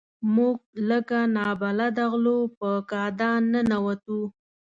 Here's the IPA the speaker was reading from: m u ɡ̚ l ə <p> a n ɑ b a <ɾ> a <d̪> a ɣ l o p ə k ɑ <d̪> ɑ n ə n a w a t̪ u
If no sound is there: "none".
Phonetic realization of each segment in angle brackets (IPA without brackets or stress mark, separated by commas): k, l, d̪, d̪